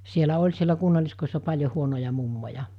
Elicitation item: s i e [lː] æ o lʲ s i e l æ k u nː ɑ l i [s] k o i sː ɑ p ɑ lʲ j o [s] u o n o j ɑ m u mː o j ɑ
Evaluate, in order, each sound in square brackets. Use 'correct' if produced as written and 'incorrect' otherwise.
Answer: incorrect: l, correct, incorrect: h

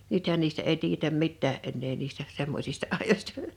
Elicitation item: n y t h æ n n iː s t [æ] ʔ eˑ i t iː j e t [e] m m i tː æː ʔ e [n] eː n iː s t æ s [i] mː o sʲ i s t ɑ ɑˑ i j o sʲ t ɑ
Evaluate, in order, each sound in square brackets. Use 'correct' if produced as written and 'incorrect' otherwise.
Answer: correct, incorrect: æ, incorrect: nː, incorrect: e

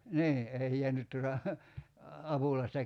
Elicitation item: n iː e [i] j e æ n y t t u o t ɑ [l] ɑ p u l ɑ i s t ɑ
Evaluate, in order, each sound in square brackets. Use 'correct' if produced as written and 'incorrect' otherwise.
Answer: correct, incorrect: none

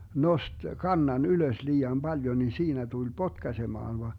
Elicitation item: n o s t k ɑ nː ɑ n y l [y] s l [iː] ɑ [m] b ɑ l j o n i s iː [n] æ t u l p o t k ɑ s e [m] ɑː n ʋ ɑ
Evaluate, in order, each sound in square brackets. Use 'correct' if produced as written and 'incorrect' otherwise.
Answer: incorrect: ø, correct, correct, correct, correct

